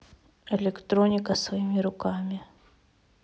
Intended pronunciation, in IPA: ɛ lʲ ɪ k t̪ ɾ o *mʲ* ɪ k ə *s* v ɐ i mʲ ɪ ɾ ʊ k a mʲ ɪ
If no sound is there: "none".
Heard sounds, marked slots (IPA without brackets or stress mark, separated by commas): nʲ, s